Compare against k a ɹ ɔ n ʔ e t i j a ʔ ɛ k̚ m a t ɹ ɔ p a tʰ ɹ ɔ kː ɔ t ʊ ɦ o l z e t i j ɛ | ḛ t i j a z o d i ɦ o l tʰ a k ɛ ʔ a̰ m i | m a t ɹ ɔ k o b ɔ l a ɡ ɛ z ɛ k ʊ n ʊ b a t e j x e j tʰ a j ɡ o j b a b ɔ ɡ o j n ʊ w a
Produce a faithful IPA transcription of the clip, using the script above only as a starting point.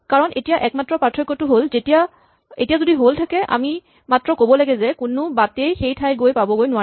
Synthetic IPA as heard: k a ɹ ɔ n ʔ e t i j a ʔ ɛ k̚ m a t ɹ ɔ p a tʰ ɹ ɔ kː ɔ t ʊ ɦ o l z e t i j a | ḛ t i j a z o d i ɦ o l tʰ a k ɛ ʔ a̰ m i | m a t ɹ ɔ k o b ɔ l a ɡ ɛ z ɛ k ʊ n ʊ b a t e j x e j tʰ a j ɡ o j p a b ɔ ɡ o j n ʊ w a